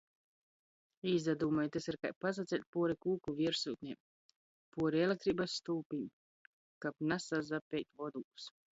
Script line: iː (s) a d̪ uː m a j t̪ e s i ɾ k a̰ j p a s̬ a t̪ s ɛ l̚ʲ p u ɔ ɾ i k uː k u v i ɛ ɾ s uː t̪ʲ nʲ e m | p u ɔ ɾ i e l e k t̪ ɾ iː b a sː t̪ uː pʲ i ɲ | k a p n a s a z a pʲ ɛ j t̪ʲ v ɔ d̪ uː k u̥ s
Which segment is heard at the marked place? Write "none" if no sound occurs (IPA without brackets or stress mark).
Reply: z